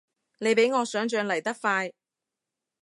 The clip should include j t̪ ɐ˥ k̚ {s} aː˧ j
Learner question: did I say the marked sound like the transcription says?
no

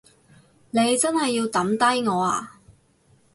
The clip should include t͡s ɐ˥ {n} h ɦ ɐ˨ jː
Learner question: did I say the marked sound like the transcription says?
yes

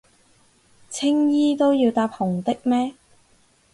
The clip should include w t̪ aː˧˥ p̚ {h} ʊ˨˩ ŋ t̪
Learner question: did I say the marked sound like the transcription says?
yes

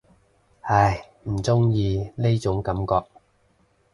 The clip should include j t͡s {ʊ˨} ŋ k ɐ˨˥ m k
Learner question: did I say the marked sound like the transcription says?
no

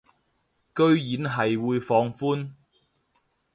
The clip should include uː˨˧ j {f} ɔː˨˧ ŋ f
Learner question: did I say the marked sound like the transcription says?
yes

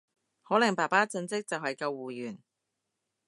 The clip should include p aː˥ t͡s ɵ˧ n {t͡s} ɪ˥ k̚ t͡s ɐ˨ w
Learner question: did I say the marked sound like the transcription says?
yes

